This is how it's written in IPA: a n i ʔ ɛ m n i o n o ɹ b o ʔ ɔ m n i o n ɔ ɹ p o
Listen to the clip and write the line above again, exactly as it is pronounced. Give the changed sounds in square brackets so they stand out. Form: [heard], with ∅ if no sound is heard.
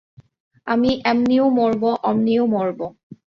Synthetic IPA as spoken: a [m] i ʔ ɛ m n i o [m] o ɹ b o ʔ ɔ m n i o [m] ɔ ɹ [b] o